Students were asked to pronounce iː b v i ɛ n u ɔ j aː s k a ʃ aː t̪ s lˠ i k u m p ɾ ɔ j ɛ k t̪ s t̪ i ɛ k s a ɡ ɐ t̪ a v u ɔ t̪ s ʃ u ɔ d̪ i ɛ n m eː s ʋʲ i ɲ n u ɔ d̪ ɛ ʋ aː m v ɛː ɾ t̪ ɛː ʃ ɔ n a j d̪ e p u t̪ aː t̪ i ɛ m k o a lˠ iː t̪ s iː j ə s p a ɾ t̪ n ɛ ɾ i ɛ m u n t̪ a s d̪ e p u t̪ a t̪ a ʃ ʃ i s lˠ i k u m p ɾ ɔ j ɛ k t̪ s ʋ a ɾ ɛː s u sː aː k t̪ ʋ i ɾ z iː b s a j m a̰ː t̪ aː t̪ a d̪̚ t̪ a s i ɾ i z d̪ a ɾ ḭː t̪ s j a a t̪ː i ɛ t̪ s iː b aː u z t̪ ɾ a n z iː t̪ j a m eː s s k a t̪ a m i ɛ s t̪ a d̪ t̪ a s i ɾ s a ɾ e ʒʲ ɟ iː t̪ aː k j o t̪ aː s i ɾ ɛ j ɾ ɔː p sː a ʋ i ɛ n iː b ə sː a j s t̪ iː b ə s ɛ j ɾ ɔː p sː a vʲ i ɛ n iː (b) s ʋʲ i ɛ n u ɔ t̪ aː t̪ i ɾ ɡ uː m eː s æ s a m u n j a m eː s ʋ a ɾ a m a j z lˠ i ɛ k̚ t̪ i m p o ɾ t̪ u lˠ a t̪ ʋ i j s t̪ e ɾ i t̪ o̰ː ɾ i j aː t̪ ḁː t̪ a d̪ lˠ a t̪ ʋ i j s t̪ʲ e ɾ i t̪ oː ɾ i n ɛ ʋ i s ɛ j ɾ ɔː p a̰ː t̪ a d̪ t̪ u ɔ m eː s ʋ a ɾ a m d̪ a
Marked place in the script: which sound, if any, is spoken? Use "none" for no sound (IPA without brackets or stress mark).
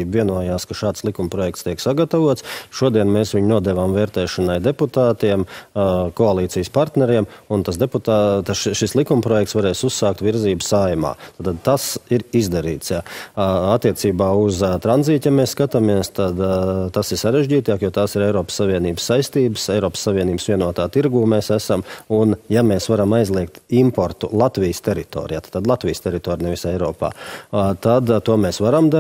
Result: b